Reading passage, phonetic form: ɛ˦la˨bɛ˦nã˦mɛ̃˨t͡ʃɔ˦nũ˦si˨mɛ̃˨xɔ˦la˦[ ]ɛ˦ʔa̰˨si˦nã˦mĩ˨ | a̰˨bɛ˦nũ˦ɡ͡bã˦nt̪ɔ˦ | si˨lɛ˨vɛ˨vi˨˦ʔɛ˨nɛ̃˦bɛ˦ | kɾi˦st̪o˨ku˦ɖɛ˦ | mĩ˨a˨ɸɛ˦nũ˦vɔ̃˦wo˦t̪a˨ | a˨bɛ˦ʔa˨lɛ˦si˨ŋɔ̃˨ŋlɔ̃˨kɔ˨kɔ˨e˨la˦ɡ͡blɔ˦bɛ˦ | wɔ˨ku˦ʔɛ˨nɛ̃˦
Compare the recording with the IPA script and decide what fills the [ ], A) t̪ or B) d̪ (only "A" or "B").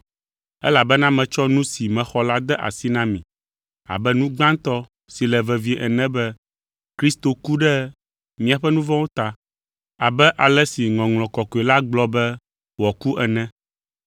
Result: B